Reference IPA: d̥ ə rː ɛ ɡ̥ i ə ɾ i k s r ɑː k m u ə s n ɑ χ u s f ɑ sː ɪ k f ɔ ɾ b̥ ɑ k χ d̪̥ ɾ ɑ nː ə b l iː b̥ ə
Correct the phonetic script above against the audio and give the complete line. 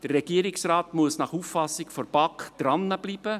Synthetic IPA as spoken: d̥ ə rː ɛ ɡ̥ i ə ɾ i k s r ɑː t m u ə s n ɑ χ u f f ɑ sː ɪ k f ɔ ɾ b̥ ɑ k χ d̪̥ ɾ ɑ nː ə b l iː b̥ ə